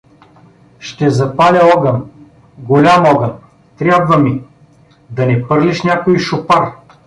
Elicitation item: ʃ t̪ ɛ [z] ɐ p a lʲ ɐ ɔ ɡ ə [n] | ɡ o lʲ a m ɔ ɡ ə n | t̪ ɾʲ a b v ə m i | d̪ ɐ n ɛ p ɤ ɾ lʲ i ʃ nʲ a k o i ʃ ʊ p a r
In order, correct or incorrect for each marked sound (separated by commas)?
correct, correct